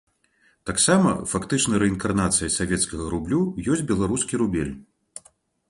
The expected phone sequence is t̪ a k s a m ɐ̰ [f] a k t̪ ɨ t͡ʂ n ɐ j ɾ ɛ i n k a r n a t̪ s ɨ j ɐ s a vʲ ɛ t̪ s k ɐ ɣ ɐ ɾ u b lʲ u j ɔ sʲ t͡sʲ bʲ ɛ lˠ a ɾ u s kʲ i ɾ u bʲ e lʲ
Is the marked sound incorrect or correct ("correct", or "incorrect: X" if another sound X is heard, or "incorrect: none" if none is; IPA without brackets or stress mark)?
correct